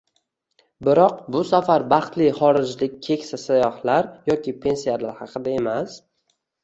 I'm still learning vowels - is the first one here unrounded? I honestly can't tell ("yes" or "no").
yes